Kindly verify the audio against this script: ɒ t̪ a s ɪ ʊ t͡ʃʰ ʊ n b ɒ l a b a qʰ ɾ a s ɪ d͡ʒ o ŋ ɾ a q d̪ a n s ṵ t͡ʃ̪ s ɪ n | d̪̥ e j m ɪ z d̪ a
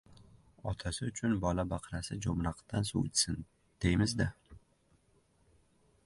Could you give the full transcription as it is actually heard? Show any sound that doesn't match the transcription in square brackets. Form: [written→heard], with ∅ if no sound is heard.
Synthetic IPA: ɒ [t̪→t̪ʰ] a s ɪ ʊ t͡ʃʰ ʊ n b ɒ l a b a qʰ ɾ a s ɪ d͡ʒ o [ŋ→m] ɾ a q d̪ a n s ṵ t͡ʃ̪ s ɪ n | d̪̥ e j m ɪ z d̪ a